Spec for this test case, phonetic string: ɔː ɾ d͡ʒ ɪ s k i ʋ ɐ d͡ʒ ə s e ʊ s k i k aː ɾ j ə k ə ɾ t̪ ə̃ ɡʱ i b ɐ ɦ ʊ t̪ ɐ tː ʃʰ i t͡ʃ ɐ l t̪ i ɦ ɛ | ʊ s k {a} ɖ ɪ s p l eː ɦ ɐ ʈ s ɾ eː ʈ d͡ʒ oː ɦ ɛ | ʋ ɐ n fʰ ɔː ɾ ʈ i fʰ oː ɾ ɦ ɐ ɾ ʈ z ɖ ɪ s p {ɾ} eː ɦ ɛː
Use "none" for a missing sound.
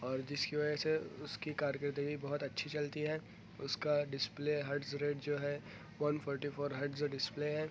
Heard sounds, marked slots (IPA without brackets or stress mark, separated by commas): a, l